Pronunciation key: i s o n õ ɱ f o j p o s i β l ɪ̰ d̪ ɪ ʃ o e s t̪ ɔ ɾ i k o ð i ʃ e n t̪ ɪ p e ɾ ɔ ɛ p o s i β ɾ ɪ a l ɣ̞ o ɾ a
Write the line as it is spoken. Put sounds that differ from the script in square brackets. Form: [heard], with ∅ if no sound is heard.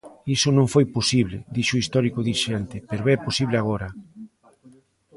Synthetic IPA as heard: i s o n õ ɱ f o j p o s i β l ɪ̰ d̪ [i] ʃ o [i] s t̪ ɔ ɾ i k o ð i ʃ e n t̪ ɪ p e ɾ [o] ɛ p o s i β [l] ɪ a [∅] ɣ̞ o ɾ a